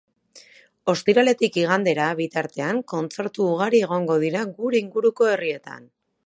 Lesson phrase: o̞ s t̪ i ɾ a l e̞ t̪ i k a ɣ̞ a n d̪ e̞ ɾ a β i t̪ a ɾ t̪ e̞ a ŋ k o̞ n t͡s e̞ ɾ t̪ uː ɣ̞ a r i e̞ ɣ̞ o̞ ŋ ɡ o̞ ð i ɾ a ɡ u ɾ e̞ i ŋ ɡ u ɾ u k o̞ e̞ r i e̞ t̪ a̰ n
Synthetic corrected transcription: o̞ s t̪ i ɾ a l e̞ t̪ i k i ɣ̞ a n d̪ e̞ ɾ a β i t̪ a ɾ t̪ e̞ a ŋ k o̞ n t͡s e̞ ɾ t̪ uː ɣ̞ a ɾ i e̞ ɣ̞ o̞ ŋ ɡ o̞ ð i ɾ a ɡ u ɾ e̞ i ŋ ɡ u ɾ u k o̞ e̞ r i e̞ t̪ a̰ n